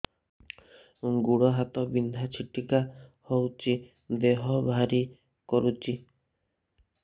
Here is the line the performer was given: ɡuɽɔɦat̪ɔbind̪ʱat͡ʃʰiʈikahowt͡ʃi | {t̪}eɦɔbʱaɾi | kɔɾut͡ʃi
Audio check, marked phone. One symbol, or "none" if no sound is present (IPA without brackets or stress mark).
d̪